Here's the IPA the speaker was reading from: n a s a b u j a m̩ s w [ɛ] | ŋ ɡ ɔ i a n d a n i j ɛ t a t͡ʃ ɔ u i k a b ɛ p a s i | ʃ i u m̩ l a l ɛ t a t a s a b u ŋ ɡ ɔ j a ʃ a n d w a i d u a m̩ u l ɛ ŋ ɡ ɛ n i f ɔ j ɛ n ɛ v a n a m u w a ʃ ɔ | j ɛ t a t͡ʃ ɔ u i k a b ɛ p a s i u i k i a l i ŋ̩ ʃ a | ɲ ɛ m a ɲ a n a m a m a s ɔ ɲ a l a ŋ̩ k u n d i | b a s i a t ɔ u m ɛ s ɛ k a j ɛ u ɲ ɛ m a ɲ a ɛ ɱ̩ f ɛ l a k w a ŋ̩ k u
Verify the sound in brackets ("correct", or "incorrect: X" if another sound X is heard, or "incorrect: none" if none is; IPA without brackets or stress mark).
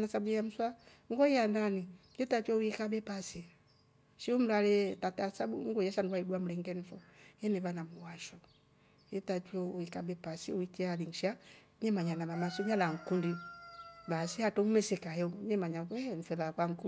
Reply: incorrect: a